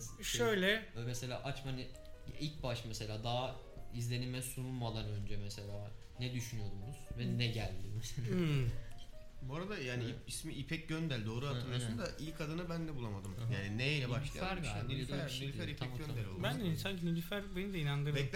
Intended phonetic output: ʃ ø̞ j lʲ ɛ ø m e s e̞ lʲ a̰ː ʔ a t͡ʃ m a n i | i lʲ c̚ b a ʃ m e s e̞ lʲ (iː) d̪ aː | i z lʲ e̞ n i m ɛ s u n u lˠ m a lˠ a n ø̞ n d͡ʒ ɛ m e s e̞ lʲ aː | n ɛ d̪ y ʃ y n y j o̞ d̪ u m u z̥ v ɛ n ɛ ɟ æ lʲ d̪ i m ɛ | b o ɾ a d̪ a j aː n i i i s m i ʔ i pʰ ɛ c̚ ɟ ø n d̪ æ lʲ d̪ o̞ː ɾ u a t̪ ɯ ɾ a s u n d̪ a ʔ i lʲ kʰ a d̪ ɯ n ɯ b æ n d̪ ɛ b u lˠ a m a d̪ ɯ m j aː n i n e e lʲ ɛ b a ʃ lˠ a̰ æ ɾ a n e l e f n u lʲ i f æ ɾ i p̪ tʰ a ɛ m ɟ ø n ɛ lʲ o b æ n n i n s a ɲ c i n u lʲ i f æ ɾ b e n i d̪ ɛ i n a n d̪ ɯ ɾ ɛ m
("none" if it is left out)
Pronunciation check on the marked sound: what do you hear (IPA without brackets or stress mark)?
aː